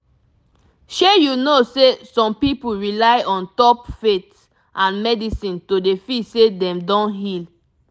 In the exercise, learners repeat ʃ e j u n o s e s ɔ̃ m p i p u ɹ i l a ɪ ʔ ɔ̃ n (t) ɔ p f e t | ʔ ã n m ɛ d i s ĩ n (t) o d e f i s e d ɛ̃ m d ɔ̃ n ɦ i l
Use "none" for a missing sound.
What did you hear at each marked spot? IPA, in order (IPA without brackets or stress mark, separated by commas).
t, t